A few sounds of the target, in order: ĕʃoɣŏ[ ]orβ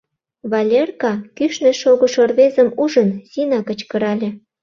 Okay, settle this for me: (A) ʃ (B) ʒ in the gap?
A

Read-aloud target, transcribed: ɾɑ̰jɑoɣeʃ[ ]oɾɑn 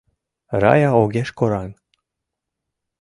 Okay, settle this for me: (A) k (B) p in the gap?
A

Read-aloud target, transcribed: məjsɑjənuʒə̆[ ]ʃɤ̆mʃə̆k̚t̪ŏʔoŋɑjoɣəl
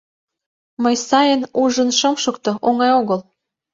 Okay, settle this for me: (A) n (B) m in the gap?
A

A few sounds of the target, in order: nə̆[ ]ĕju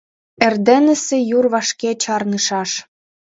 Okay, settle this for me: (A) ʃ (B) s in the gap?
B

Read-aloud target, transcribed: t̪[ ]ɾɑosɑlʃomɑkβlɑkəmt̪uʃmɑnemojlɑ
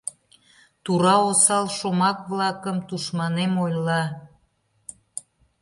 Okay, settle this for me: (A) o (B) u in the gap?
B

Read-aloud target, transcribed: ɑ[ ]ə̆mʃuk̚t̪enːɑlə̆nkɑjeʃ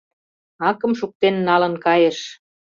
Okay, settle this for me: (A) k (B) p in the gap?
A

